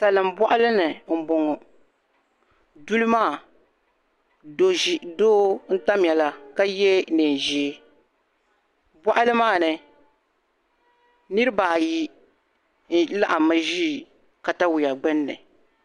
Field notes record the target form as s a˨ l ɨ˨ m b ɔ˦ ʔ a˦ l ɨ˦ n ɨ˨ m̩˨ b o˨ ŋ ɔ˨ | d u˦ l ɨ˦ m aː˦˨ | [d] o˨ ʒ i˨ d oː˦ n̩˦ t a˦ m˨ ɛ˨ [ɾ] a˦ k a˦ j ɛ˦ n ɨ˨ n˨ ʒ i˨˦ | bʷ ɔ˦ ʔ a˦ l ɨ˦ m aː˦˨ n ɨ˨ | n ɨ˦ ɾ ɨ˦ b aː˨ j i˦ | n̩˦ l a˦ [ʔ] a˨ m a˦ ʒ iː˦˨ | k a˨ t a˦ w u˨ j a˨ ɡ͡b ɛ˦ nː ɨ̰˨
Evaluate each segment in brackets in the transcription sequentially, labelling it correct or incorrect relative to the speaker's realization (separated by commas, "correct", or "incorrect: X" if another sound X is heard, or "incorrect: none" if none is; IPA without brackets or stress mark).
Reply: correct, incorrect: l, correct